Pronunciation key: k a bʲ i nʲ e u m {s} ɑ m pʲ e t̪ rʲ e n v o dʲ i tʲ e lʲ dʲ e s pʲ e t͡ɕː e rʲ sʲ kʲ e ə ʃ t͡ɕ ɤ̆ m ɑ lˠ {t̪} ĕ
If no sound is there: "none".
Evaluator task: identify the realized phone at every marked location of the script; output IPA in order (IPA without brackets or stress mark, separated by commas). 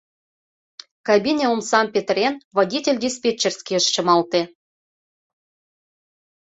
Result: s, t̪